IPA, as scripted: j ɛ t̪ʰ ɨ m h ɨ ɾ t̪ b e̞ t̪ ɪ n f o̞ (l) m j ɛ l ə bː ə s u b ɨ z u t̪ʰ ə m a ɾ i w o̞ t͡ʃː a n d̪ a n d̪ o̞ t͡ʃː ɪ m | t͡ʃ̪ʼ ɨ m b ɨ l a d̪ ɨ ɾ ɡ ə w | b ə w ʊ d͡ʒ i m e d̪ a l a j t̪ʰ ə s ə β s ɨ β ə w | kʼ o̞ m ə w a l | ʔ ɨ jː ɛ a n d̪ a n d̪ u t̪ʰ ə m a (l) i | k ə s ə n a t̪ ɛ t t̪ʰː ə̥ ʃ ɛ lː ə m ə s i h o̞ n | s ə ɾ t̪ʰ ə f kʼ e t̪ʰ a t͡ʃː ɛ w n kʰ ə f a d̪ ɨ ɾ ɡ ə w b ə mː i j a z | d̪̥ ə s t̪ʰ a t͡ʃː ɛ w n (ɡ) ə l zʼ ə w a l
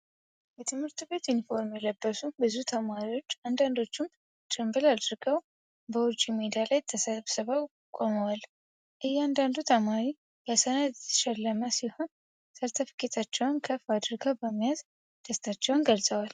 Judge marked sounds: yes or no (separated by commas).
no, no, yes